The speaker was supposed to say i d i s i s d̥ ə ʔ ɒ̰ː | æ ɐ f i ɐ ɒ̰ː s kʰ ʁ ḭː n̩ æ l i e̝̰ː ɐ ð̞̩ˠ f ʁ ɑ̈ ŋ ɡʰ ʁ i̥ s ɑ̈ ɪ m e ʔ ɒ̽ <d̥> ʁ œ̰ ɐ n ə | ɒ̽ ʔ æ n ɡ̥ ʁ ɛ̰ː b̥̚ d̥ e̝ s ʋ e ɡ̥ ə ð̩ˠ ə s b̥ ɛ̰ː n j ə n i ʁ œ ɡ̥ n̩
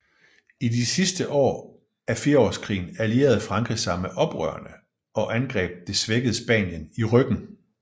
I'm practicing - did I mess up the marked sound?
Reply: yes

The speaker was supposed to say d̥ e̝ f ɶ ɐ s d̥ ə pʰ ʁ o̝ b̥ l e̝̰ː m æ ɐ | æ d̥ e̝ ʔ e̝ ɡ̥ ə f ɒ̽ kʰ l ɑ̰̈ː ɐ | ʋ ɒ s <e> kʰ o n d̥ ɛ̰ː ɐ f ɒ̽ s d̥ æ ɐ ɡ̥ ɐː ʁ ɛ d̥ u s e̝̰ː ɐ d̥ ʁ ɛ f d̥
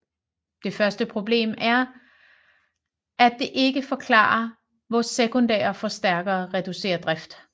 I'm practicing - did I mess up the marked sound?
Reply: no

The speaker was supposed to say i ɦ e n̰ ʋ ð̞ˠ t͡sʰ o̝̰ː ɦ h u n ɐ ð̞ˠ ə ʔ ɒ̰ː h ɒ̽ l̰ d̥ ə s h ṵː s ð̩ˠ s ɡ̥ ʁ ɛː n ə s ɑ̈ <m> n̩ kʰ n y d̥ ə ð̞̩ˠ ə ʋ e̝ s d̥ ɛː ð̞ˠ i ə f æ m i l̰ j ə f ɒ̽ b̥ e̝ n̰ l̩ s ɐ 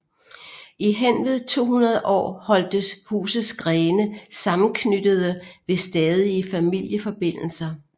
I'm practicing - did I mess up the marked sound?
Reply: no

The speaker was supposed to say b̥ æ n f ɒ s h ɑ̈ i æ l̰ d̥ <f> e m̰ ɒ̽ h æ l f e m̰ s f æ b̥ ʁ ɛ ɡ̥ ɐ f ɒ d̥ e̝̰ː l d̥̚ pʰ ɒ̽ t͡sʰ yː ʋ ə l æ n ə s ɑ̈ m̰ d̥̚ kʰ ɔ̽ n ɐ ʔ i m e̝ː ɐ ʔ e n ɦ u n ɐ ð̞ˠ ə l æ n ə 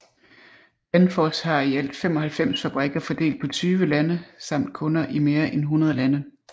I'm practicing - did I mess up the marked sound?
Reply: no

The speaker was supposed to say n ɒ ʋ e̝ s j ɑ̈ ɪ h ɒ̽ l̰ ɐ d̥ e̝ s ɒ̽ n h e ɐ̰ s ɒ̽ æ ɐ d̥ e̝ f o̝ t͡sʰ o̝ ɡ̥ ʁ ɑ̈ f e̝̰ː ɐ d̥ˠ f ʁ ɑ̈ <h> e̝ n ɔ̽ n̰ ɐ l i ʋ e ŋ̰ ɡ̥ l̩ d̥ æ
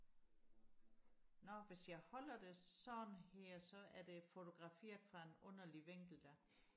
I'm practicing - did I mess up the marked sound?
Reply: yes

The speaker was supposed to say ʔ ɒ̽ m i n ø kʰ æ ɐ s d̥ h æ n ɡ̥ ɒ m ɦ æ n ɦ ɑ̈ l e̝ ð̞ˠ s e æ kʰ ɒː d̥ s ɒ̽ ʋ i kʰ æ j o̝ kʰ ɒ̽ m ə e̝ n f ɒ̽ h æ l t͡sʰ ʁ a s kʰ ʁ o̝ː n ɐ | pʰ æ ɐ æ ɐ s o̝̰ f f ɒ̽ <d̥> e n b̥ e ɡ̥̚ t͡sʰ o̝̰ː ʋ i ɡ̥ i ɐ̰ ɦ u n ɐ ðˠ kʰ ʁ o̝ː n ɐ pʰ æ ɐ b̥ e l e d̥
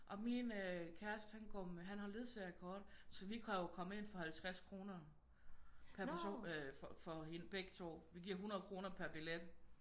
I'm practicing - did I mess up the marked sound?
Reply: yes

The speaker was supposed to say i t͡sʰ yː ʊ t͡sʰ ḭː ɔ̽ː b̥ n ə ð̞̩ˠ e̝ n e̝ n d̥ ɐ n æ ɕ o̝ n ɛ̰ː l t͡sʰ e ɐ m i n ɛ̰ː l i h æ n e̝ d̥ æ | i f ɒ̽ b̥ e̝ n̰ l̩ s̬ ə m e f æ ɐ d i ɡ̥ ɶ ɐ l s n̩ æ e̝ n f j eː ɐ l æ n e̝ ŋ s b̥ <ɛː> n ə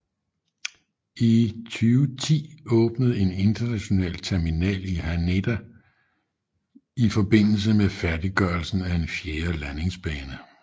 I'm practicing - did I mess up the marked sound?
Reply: no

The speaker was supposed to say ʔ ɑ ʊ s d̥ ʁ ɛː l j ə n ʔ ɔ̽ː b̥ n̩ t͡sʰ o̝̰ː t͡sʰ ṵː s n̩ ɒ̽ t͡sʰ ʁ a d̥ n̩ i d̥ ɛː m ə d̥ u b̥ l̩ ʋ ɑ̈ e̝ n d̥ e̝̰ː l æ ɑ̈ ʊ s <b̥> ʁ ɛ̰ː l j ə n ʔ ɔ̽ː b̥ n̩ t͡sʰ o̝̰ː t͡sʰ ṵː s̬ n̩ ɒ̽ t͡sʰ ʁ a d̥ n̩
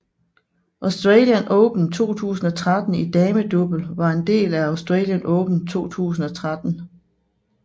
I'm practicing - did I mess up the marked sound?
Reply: yes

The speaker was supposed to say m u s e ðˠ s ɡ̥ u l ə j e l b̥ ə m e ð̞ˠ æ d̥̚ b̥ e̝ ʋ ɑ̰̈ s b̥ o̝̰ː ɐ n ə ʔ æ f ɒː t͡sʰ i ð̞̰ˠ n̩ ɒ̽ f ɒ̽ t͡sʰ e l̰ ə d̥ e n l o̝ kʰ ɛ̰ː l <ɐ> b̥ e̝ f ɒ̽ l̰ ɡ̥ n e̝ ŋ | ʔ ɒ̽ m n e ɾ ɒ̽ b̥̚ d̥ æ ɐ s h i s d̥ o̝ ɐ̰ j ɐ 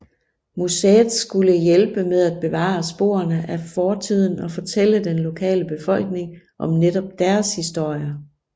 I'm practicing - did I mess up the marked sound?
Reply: yes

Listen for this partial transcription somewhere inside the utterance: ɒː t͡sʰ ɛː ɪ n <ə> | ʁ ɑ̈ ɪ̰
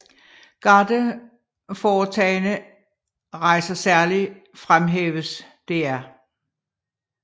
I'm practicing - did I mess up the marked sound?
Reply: no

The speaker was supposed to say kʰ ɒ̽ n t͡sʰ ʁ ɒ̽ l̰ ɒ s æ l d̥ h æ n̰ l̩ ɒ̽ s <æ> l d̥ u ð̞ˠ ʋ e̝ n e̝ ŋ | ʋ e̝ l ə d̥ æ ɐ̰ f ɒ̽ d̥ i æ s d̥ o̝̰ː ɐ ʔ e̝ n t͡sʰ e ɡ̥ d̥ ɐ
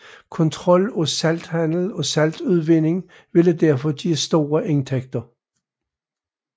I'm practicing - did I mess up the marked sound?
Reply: no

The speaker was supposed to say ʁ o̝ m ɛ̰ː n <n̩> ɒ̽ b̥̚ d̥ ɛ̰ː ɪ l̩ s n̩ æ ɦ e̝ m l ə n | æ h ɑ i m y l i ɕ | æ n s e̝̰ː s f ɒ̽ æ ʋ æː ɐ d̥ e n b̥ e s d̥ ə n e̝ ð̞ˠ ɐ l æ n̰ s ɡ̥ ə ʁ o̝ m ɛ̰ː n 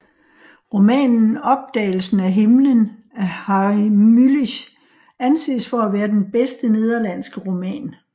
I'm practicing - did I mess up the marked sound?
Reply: no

